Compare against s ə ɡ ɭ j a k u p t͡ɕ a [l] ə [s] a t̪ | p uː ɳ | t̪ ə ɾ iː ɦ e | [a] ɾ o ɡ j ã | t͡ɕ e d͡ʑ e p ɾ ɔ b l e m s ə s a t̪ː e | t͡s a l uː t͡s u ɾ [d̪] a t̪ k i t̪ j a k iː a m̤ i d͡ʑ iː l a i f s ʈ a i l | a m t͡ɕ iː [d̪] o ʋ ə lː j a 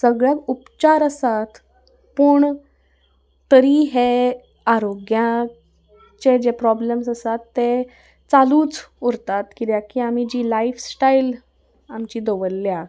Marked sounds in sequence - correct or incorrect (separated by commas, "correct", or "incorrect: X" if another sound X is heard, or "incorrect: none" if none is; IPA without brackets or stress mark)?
incorrect: ɾ, correct, correct, incorrect: t̪, correct